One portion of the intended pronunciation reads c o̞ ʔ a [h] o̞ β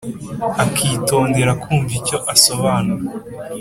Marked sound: incorrect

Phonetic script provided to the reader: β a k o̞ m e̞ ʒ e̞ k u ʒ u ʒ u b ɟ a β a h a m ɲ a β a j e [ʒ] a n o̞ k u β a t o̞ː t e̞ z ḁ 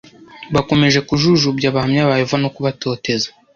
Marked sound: incorrect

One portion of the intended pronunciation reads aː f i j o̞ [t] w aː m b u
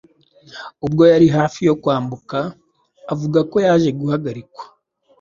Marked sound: incorrect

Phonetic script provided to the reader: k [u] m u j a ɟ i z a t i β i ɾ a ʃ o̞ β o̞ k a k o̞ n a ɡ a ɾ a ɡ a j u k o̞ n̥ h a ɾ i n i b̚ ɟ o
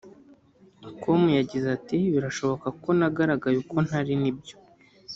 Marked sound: incorrect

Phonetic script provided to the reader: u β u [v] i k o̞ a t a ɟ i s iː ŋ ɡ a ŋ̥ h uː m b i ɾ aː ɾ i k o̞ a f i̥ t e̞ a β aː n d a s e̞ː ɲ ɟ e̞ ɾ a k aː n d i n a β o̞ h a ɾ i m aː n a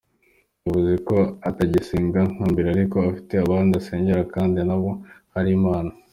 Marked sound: incorrect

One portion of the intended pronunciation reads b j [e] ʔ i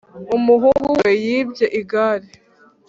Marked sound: correct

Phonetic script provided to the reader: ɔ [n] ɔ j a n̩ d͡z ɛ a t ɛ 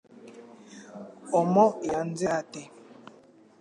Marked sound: incorrect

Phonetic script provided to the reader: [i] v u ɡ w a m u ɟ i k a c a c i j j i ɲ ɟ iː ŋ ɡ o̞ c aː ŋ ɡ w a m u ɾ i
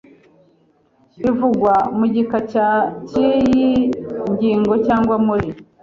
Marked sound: correct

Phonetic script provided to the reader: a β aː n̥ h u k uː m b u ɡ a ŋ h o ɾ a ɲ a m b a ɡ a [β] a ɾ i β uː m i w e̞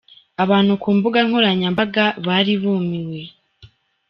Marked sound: correct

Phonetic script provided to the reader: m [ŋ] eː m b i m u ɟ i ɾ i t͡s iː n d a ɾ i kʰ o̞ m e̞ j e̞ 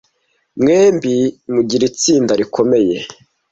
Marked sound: correct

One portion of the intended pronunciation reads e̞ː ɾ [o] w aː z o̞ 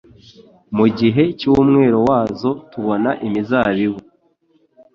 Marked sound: correct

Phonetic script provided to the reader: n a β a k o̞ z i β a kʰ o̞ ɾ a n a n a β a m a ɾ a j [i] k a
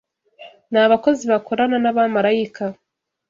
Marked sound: correct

